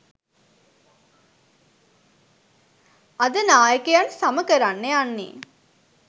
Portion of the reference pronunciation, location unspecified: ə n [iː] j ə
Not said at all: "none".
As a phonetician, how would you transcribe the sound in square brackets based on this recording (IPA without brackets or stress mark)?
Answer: aː